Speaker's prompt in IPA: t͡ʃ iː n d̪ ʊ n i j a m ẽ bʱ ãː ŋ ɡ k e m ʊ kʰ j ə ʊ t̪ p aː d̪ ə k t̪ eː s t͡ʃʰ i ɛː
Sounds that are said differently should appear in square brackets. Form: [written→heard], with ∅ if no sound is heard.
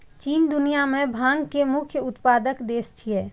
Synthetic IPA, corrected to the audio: t͡ʃ iː n d̪ ʊ n i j a m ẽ bʱ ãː ŋ ɡ k e m ʊ kʰ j ə ʊ t̪ p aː d̪ ə k [t̪→d̪] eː s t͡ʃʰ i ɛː